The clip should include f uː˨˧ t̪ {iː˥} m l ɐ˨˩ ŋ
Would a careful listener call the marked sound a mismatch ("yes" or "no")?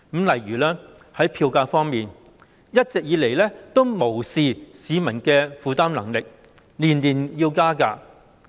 yes